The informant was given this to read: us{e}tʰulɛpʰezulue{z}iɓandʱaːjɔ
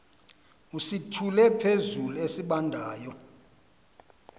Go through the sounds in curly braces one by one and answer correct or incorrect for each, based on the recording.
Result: incorrect: i, incorrect: s

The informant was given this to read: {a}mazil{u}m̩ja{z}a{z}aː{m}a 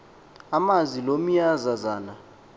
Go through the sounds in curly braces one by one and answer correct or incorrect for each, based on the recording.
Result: correct, incorrect: o, correct, correct, incorrect: n

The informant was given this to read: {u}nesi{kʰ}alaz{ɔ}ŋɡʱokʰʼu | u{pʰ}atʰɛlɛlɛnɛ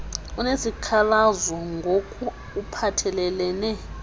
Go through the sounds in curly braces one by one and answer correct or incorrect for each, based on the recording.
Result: correct, correct, correct, correct

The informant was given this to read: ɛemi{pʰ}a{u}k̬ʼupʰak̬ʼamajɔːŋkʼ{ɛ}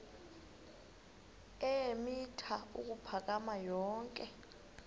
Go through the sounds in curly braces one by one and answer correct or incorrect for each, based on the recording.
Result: incorrect: tʰ, correct, correct

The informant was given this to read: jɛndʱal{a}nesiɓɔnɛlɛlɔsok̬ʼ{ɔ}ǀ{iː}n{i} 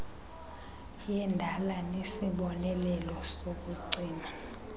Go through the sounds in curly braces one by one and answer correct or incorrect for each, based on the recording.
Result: correct, incorrect: u, correct, incorrect: a

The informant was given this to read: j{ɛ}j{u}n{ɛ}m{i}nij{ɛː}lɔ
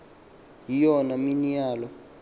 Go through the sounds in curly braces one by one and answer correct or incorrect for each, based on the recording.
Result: incorrect: i, incorrect: ɔ, incorrect: a, correct, incorrect: aː

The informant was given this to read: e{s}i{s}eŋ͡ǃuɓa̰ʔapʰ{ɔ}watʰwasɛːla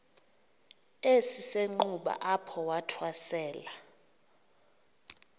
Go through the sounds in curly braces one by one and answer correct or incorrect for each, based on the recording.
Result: correct, correct, correct

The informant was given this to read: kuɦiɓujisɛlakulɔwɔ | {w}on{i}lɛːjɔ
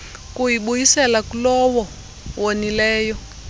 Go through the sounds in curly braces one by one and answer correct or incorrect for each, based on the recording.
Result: correct, correct

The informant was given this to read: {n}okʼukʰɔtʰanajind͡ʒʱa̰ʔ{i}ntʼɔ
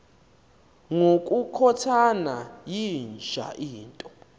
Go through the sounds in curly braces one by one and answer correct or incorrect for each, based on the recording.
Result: incorrect: ŋ, incorrect: iː

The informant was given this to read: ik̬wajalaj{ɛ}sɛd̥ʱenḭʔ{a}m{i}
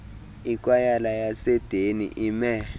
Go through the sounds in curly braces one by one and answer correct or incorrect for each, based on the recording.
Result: incorrect: a, incorrect: i, incorrect: ɛ

